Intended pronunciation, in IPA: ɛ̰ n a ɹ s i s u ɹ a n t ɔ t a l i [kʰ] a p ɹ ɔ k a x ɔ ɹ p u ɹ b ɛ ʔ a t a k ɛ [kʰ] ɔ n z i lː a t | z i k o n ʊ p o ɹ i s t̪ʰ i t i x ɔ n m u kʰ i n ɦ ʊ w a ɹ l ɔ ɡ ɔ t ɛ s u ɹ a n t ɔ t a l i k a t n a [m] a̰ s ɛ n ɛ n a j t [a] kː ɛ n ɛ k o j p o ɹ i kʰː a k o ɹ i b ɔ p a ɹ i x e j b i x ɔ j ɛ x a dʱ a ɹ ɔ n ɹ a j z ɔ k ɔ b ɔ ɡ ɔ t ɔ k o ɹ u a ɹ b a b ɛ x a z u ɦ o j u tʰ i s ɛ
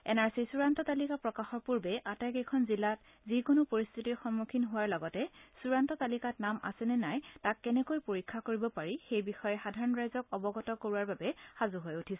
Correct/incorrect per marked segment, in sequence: incorrect, correct, correct, correct

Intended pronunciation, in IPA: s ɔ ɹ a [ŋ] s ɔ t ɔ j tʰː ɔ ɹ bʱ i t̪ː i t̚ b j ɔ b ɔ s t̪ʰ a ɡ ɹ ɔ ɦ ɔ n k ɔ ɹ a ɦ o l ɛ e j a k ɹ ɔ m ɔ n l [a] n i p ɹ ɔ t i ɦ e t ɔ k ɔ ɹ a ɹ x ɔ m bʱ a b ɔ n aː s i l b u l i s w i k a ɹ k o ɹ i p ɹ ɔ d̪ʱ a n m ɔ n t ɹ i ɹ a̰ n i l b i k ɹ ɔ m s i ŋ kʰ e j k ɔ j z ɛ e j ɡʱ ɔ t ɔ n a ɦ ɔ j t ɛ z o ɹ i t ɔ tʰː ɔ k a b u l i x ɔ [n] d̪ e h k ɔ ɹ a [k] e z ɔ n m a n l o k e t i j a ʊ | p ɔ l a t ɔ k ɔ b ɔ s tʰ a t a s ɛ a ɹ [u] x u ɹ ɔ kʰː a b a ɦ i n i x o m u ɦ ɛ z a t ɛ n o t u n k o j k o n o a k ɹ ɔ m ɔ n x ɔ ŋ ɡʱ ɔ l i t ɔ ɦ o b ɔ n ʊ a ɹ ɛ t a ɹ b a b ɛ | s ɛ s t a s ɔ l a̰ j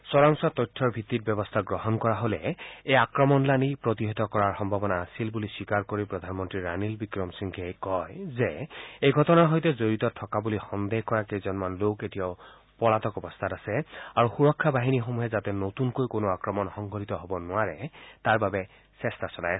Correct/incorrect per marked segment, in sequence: correct, correct, correct, correct, correct

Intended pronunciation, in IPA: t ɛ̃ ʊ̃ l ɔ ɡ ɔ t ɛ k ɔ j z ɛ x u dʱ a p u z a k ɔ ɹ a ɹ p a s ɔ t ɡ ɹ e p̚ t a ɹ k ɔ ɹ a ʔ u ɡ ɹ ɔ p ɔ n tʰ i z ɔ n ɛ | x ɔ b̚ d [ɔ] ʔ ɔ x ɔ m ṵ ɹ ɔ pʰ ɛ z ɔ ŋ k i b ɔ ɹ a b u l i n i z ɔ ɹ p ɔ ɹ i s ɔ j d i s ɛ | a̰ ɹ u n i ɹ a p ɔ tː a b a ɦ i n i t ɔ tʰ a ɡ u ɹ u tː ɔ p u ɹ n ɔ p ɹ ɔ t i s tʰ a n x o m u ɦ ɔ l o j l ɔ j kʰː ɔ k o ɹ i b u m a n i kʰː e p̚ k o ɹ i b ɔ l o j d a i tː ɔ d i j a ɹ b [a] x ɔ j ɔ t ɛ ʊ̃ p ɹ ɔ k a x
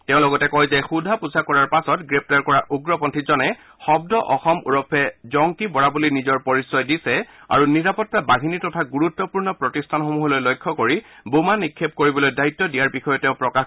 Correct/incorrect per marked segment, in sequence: correct, incorrect

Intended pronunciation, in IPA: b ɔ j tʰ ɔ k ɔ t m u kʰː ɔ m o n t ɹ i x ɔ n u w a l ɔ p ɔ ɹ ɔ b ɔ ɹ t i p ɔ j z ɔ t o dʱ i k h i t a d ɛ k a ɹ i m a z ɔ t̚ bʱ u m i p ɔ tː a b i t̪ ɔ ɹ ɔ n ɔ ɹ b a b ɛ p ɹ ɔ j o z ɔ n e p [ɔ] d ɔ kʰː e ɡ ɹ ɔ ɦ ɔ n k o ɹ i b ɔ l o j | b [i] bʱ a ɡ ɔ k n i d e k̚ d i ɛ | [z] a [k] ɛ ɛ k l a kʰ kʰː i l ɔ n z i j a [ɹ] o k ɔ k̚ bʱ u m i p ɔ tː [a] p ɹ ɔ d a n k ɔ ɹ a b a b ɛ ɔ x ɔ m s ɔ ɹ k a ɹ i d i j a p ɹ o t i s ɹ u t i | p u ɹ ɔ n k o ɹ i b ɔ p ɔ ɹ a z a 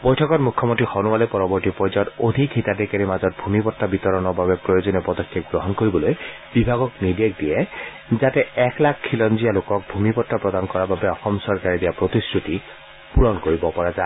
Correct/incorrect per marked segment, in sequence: correct, correct, correct, incorrect, incorrect, correct

